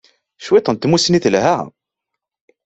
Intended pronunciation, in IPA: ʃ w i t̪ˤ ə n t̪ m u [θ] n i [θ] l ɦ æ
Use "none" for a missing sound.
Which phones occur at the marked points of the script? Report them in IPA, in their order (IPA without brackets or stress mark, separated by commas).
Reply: s, θ